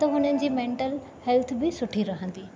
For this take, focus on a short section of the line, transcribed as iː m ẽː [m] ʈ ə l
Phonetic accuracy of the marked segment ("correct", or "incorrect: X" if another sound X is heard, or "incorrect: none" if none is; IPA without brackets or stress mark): incorrect: ɳ